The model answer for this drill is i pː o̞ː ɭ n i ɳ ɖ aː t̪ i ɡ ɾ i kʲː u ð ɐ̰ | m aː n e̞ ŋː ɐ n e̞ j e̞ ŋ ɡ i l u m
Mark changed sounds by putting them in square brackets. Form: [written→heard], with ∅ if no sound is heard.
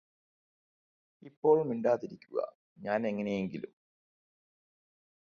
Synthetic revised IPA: i pː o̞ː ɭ [n→m] i ɳ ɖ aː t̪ i [ɡ→∅] ɾ i kʲː u [ð→ɣ] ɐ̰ | [m→ɲ] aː n e̞ ŋː ɐ n e̞ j e̞ ŋ ɡ i l u m